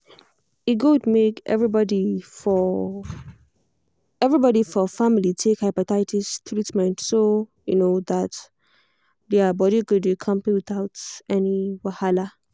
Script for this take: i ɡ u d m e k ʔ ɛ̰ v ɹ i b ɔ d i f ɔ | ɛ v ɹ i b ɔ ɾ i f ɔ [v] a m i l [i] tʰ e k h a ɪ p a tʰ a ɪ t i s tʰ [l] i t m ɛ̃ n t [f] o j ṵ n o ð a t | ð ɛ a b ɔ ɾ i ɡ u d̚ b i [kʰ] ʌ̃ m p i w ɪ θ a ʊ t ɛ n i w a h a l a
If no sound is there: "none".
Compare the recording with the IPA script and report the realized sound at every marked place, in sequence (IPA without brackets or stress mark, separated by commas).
f, i, ɹ, s, kʰ